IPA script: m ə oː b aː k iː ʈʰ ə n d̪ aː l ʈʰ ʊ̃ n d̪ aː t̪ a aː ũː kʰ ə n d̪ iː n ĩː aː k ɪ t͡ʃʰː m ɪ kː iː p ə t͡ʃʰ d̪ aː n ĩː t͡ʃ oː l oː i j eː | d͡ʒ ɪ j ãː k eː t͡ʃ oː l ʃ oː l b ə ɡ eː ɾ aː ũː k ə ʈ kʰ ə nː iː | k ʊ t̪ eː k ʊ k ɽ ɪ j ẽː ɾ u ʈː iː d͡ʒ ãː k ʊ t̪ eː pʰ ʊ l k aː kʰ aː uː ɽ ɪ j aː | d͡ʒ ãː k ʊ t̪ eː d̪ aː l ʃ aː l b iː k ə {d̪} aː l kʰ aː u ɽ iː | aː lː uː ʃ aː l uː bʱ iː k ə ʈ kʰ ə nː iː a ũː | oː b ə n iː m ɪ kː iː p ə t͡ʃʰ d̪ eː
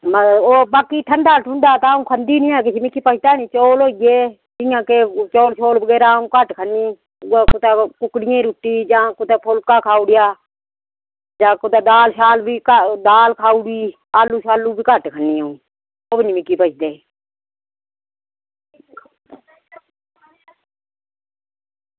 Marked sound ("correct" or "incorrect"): correct